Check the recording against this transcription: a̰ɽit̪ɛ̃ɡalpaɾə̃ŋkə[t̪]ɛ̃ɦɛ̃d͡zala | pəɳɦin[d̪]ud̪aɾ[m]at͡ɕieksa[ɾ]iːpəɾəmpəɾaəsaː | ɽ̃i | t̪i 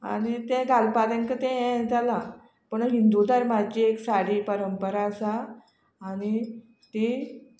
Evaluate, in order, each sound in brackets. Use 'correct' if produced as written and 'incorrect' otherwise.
correct, correct, correct, incorrect

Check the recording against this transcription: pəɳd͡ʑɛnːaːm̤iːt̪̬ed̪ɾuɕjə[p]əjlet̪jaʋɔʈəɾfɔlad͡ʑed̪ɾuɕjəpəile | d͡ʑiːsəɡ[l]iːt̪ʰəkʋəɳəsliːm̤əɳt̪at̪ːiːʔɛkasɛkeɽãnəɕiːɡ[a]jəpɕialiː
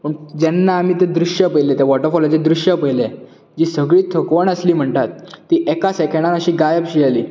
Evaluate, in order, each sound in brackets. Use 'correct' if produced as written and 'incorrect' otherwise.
correct, incorrect, correct

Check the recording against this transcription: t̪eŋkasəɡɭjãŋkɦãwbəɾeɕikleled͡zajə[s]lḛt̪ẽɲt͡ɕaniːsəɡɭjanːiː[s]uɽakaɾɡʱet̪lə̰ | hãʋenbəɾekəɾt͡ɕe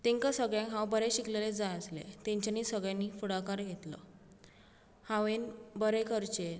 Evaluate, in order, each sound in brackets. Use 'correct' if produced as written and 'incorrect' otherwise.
correct, incorrect

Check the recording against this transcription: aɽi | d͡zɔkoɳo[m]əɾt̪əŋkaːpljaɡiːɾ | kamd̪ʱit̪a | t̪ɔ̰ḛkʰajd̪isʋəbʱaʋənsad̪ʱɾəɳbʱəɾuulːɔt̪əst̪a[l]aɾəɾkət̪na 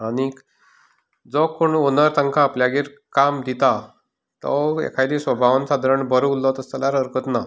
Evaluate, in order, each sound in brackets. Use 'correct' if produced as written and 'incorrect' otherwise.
incorrect, correct

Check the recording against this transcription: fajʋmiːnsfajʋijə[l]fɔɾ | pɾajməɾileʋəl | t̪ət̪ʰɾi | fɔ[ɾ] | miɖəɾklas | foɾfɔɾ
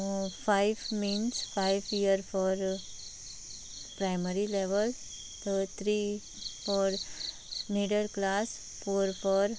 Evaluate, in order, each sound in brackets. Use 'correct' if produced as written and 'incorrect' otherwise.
incorrect, correct

